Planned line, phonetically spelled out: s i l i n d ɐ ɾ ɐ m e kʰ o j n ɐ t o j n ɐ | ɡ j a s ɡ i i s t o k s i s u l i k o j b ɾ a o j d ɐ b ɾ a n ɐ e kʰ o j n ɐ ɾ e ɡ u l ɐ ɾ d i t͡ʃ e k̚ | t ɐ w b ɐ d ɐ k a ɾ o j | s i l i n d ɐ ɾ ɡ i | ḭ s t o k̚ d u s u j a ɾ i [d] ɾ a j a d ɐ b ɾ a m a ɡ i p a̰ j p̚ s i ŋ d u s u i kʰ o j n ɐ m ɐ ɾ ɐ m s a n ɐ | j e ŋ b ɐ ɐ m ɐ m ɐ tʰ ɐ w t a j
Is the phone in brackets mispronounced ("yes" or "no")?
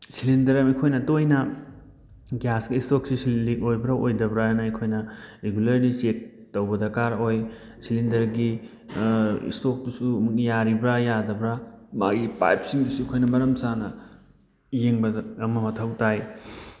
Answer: yes